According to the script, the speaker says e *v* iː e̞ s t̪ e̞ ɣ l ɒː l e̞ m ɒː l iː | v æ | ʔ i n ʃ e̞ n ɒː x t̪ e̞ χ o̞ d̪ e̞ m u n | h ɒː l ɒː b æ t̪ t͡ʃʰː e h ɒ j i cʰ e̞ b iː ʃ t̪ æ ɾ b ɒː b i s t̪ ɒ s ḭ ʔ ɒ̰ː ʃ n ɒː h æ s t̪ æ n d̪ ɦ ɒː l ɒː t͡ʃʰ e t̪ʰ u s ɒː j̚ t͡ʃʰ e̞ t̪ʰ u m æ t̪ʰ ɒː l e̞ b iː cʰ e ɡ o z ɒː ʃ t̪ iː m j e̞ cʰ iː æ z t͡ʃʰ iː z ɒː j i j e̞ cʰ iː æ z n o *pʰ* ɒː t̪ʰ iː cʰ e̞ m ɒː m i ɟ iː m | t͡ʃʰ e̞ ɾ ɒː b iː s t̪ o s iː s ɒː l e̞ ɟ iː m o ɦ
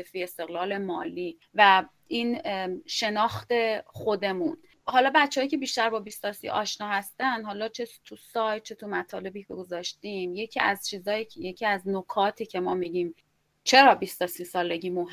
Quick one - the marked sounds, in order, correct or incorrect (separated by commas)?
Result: incorrect, incorrect